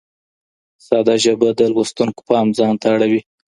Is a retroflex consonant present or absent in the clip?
present